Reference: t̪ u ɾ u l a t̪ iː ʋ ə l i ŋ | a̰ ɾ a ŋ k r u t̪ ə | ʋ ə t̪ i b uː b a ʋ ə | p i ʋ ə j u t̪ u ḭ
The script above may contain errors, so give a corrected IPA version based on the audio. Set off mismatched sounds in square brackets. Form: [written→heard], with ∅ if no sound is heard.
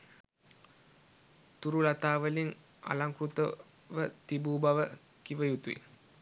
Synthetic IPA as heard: t̪ u ɾ u l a t̪ [iː→aː] ʋ ə l i ŋ | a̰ [ɾ→l] a ŋ k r u t̪ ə | ʋ ə t̪ i b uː b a ʋ ə | [p→k] i ʋ ə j u t̪ u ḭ